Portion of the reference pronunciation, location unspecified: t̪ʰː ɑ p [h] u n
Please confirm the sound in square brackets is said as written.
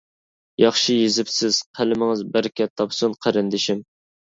no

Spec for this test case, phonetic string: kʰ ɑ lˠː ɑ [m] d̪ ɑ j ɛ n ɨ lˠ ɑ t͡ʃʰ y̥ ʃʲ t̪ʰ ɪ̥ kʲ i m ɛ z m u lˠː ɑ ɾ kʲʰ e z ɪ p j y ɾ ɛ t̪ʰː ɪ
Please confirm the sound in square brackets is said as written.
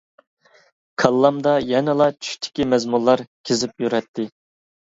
yes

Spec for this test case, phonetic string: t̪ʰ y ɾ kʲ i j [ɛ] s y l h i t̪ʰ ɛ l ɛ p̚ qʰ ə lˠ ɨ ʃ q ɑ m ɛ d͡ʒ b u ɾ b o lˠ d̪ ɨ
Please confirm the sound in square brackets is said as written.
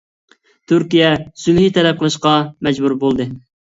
yes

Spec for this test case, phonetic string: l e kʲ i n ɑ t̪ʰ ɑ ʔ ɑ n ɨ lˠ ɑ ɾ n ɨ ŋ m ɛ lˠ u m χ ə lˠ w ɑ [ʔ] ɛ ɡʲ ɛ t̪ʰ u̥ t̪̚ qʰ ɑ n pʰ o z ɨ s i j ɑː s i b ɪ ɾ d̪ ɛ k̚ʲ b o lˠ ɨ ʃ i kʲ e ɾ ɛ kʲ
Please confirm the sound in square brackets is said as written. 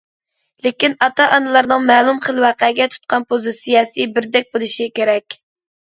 no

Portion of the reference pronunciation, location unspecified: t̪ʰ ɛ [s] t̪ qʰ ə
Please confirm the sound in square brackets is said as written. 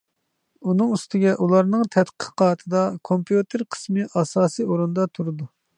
no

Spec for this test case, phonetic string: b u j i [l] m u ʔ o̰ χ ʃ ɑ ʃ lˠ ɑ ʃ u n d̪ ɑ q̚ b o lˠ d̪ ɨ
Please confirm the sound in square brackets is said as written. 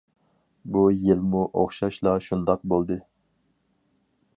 yes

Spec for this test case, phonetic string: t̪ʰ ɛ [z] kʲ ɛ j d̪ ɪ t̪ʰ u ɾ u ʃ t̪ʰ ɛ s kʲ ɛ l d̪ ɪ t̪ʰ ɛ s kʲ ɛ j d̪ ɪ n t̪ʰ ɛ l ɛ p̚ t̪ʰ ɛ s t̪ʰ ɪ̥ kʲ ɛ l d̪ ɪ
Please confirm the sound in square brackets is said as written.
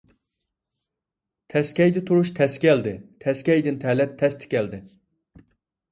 no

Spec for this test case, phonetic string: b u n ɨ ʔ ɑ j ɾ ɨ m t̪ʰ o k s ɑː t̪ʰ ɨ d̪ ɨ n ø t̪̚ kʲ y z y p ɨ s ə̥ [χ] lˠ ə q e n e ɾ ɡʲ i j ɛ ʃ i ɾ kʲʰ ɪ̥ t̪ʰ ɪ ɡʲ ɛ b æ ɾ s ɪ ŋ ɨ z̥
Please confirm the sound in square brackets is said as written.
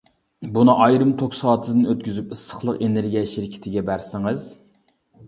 yes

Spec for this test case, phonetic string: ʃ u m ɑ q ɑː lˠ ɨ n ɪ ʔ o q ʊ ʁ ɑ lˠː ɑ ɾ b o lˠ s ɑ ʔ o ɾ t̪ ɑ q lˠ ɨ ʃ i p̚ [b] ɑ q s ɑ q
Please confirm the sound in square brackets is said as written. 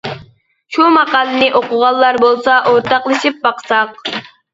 yes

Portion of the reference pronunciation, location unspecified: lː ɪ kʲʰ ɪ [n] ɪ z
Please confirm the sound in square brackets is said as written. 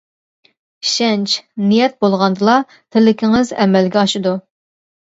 no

